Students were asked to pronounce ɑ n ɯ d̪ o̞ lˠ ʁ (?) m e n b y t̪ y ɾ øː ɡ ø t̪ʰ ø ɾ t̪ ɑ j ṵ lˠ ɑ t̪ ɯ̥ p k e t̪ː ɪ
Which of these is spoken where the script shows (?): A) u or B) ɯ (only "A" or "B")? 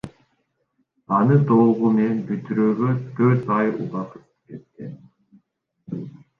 A